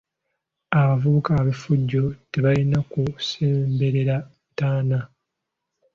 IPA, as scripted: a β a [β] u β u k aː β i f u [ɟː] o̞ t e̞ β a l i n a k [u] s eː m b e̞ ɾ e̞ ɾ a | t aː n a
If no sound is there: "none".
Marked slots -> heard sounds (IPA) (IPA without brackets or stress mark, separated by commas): v, ɟː, u